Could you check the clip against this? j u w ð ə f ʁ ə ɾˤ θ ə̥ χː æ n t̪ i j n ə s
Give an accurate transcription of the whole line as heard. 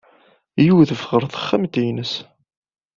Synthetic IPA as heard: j u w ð ə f ʁ ə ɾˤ θ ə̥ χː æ m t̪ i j n ə s